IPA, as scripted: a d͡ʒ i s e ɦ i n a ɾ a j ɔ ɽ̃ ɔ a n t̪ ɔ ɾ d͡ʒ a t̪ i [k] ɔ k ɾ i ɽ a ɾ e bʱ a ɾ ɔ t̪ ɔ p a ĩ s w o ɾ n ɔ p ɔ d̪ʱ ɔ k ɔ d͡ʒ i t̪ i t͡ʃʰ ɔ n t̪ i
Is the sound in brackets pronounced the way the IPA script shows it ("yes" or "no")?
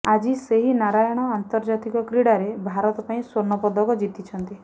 yes